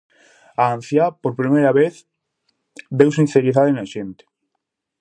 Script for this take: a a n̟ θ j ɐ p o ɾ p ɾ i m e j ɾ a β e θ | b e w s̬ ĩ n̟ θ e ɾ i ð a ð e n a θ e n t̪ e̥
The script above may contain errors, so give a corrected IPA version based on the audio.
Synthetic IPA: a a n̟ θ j a p o ɾ p ɾ i m e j ɾ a β e θ | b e w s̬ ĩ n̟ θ e ɾ i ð a ð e n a ʃ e n t̪ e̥